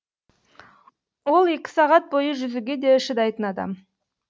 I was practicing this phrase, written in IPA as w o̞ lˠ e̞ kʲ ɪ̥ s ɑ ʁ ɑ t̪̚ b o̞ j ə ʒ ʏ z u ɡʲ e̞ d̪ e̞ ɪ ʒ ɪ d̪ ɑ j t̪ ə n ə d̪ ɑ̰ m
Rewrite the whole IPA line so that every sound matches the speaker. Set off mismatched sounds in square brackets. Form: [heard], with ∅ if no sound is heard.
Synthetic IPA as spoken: w o̞ lˠ e̞ kʲ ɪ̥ s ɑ ʁ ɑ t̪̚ b o̞ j ə ʒ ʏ z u ɡʲ e̞ d̪ e̞ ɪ [ʃ] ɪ d̪ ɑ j t̪ ə n [ɑ] d̪ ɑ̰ m